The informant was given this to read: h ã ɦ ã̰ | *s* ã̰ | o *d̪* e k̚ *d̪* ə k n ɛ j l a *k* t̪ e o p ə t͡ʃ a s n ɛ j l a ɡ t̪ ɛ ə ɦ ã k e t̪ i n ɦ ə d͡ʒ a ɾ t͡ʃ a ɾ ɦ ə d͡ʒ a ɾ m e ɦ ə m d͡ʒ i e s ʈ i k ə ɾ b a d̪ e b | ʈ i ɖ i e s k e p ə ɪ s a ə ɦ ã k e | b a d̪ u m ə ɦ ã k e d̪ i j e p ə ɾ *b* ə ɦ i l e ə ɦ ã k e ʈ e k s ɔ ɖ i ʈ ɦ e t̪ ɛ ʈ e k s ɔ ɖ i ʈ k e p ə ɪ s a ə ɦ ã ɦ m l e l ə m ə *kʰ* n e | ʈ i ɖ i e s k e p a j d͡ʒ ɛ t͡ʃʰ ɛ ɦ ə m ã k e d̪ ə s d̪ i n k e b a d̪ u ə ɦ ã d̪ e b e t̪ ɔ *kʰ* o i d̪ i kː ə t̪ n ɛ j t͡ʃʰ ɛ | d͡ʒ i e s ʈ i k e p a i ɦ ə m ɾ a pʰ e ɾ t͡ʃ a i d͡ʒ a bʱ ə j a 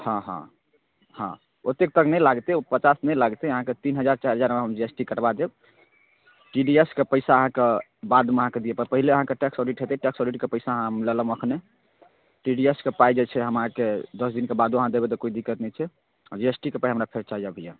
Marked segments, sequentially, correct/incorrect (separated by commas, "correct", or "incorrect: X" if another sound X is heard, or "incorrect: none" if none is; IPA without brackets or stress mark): incorrect: h, incorrect: t̪, incorrect: t̪, incorrect: ɡ, incorrect: p, correct, incorrect: k